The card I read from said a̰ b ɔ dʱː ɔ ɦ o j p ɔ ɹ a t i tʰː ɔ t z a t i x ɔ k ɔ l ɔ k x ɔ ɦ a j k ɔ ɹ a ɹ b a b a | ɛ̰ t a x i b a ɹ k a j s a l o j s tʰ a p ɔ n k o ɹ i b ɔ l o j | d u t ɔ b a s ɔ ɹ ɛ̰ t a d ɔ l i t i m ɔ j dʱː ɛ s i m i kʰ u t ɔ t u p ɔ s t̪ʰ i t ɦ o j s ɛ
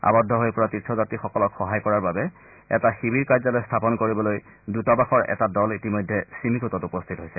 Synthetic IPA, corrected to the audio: a̰ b ɔ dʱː ɔ ɦ o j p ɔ ɹ a t i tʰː ɔ z a t i x ɔ k ɔ l ɔ k x ɔ ɦ a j k ɔ ɹ a ɹ b a b ɛ | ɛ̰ t a x i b i ɹ k a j z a l o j s tʰ a p ɔ n k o ɹ i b ɔ l o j | d u t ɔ b a x ɔ ɹ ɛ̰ t a d ɔ l i t i m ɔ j dʱː ɛ s i m i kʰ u t ɔ t u p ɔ s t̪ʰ i t ɦ o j s ɛ

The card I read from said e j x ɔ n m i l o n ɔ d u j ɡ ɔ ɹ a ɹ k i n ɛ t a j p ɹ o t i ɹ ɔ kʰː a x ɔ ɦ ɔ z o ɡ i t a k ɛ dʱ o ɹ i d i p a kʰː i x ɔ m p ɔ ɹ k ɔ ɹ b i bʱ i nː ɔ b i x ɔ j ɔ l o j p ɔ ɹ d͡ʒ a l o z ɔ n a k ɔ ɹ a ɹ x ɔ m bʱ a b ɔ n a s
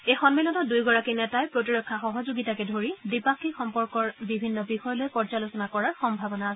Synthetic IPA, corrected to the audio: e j x ɔ n m i l ɔ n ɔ d u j ɡ ɔ ɹ a k i n ɛ t a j p ɹ o t i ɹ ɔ kʰː a x ɔ ɦ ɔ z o ɡ i t a k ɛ dʱ o ɹ i d i p a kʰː i x ɔ m p ɔ ɹ k ɔ ɹ b i bʱ i nː ɔ b i x ɔ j ɔ l o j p ɔ ɹ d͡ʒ a l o s ɔ n a k ɔ ɹ a ɹ x ɔ m bʱ a b ɔ n a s

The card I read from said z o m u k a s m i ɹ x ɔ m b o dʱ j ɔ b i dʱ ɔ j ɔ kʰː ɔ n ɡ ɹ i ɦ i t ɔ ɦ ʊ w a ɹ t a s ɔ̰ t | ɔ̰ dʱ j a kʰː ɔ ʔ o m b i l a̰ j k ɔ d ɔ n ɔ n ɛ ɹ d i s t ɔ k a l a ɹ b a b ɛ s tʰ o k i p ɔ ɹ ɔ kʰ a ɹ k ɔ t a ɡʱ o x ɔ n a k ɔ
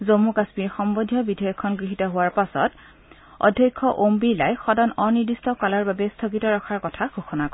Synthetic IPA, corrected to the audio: z o m u k a s m i ɹ x ɔ m b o dʱ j ɔ b i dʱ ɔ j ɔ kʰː ɔ n ɡ ɹ i ɦ i t ɔ ɦ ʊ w a ɹ p a s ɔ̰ t | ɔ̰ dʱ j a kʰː ɔ ʔ o m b i l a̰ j x ɔ d ɔ n ɔ n i ɹ d i s t ɔ k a l a ɹ b a b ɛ s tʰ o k i t ɔ ɹ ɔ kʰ a ɹ k ɔ tʰ a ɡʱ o x ɔ n a k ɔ

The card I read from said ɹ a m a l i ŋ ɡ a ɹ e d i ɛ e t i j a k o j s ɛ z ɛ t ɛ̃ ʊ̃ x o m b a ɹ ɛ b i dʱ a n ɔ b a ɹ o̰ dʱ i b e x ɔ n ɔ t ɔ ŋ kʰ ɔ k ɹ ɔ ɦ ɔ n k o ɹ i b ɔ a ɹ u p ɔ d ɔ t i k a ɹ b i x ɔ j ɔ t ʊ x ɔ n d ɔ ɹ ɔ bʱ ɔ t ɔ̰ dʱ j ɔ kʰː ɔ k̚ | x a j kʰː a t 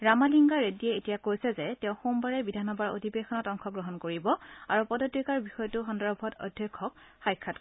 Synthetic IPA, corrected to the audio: ɹ a m a l i ŋ ɡ a ɹ e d i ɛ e t i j a k o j s ɛ z ɛ t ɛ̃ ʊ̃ x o m b a ɹ ɛ b i dʱ a n ɔ b a ɹ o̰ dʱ i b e x ɔ n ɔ t ɔ ŋ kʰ ɔ ɡ ɹ ɔ ɦ ɔ n k o ɹ i b ɔ a ɹ u p ɔ d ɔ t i k a ɹ b i x ɔ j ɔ t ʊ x ɔ n d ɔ ɹ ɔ bʱ ɔ t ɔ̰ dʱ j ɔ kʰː ɔ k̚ | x a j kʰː a t

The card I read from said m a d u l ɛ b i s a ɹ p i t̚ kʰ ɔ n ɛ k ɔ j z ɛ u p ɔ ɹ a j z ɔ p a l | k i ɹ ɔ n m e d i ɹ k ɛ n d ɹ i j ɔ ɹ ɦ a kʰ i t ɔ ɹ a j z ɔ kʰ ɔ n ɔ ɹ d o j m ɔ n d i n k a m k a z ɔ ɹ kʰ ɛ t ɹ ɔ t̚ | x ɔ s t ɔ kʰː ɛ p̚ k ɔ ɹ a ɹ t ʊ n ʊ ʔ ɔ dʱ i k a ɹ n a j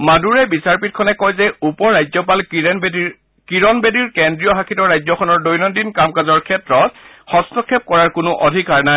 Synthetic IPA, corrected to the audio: m a d u ɹ ɛ b i s a ɹ p i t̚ kʰ ɔ n ɛ k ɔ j z ɛ u p ɔ ɹ a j z ɔ p a l | k i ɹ ɔ n b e d i ɹ k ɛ n d ɹ i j ɔ ɦ a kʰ i t ɔ ɹ a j z ɔ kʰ ɔ n ɔ ɹ d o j n ɔ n d i n k a m k a z ɔ ɹ kʰ ɛ t ɹ ɔ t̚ | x ɔ s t ɔ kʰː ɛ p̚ k ɔ ɹ a ɹ k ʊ n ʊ ʔ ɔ dʱ i k a ɹ n a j

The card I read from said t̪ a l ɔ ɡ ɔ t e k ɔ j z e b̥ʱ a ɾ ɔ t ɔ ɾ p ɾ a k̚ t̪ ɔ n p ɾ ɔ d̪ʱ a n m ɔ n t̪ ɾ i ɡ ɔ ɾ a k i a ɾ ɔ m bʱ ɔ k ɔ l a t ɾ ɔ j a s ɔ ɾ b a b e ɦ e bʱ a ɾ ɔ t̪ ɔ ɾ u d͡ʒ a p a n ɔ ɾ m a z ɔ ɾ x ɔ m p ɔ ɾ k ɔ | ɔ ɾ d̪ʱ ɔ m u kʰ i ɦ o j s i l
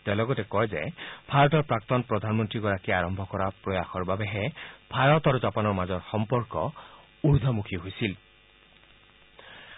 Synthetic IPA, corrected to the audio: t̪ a l ɔ ɡ ɔ t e k ɔ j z e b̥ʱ a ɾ ɔ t ɔ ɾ p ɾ a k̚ t̪ ɔ n p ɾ ɔ d̪ʱ a n m ɔ n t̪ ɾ i ɡ ɔ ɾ a k i a ɾ ɔ m bʱ ɔ k ɔ ɾ a p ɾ ɔ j a x ɔ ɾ b a b e ɦ e bʱ a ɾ ɔ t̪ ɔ ɾ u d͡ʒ a p a n ɔ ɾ m a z ɔ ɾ x ɔ m p ɔ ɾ k ɔ | u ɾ d̪ʱ ɔ m u kʰ i ɦ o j s i l

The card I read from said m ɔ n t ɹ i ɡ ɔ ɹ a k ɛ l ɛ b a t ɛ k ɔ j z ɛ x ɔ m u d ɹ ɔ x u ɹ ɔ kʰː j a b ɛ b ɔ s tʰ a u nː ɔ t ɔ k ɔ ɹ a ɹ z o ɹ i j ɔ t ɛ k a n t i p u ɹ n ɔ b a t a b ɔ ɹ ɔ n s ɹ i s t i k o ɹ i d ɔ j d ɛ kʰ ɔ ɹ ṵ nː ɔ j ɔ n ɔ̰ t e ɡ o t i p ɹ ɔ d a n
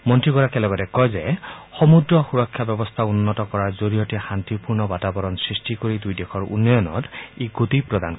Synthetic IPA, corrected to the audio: m ɔ n t ɹ i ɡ ɔ ɹ a k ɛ l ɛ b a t ɛ k ɔ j z ɛ x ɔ m u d ɹ ɔ x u ɹ ɔ kʰː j a b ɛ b ɔ s tʰ a u nː ɔ t ɔ k ɔ ɹ a ɹ z o ɹ i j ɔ t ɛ x a n t i p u ɹ n ɔ b a t a b ɔ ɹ ɔ n s ɹ i s t i k o ɹ i d u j d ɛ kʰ ɔ ɹ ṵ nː ɔ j ɔ n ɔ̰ t e ɡ o t i p ɹ ɔ d a n

